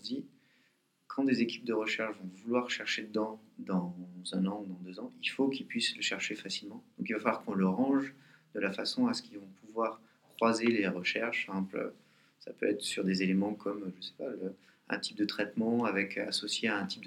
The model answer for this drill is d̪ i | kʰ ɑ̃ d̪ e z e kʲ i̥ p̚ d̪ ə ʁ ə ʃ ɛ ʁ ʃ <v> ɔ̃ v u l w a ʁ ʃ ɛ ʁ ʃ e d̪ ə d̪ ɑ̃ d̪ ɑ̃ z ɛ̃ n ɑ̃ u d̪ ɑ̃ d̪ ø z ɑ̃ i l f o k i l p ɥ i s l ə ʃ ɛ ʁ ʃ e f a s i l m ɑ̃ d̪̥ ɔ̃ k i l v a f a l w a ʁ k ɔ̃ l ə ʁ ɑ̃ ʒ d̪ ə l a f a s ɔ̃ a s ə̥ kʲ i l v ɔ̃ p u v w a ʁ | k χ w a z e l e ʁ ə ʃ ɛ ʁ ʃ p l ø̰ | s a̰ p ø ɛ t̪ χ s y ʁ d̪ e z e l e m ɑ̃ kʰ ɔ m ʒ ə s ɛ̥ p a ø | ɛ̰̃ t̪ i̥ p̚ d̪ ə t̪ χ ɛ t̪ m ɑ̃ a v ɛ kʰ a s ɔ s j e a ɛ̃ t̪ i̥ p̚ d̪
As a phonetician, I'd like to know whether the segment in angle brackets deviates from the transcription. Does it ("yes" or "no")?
no